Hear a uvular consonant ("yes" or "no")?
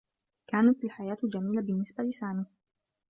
no